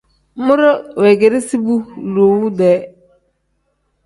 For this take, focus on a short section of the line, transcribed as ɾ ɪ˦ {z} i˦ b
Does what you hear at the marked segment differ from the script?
yes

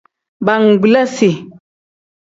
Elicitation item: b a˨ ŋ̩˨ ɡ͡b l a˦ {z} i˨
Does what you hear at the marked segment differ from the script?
yes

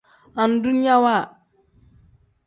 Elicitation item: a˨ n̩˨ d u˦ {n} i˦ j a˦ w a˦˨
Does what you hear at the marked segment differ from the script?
no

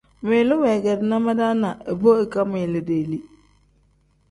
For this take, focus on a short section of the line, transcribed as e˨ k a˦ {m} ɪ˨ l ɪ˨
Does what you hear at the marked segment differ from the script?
no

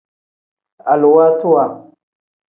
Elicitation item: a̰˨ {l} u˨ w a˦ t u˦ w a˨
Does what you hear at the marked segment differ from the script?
no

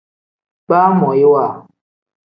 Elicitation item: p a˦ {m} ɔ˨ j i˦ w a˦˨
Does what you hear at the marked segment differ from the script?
no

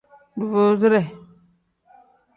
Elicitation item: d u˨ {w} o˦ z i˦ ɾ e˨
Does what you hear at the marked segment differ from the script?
yes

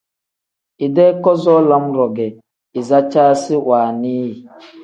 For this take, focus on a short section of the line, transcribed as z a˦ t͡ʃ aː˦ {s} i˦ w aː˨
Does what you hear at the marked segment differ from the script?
no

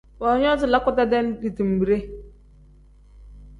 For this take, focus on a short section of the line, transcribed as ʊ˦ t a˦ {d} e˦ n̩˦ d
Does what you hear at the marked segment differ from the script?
no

